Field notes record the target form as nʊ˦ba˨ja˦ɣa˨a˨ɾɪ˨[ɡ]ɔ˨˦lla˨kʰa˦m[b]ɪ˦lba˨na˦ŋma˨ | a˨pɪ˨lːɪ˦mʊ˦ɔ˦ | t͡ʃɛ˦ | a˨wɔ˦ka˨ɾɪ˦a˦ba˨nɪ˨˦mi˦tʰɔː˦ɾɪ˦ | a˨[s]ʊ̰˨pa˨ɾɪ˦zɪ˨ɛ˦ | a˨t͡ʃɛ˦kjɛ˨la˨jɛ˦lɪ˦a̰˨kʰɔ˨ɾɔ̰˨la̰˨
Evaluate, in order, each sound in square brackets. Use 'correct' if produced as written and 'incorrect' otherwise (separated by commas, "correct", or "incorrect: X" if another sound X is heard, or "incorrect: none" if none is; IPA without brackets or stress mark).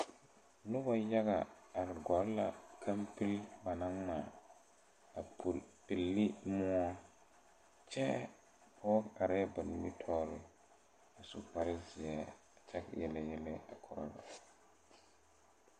correct, incorrect: p, correct